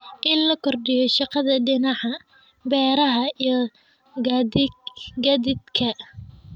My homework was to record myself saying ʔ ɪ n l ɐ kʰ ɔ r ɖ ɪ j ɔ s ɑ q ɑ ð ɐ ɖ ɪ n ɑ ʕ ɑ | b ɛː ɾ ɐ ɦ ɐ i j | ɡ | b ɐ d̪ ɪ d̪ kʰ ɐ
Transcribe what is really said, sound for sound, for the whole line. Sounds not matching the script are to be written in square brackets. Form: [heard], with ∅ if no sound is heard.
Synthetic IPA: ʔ ɪ n l ɐ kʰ ɔ r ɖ ɪ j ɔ [ʃ] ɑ q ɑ ð ɐ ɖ ɪ n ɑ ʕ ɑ | b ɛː ɾ ɐ ɦ ɐ i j | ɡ | [ɡ] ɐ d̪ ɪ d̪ kʰ ɐ